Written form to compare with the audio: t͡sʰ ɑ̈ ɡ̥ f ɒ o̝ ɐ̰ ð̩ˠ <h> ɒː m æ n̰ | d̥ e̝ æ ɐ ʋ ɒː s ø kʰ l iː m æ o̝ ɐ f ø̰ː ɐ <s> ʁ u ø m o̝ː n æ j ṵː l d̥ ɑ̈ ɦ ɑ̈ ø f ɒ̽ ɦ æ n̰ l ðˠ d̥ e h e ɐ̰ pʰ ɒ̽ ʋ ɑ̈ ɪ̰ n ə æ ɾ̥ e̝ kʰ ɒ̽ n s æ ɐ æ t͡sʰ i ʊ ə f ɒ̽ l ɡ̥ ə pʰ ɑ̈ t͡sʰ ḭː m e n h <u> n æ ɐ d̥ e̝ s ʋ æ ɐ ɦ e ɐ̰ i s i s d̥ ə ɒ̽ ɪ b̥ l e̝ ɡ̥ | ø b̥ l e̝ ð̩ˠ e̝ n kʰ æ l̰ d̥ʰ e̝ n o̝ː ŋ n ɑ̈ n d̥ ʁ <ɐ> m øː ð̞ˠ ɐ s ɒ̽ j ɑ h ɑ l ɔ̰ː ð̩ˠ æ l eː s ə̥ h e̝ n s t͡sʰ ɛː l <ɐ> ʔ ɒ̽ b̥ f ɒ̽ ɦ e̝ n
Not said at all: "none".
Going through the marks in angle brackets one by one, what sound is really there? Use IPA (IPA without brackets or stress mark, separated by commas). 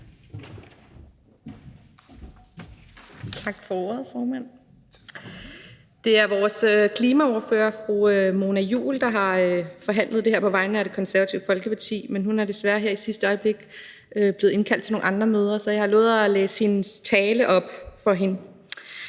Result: f, f, u, ɐ, ə